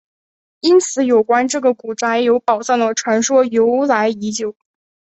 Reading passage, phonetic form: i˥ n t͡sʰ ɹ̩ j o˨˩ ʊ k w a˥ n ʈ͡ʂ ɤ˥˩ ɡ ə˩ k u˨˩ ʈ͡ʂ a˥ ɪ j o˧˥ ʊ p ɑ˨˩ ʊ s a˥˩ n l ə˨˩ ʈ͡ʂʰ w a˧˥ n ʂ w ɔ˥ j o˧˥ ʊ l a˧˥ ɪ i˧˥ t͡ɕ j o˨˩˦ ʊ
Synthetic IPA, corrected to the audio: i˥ n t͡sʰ ɹ̩ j o˨˩ ʊ k w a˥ n ʈ͡ʂ ɤ˥˩ ɡ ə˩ k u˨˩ ʈ͡ʂ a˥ ɪ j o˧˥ ʊ p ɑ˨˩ ʊ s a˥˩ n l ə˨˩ ʈ͡ʂʰ w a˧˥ n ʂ w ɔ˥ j o˧˥ ʊ l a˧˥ ɪ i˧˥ t͡ɕ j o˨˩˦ ʊ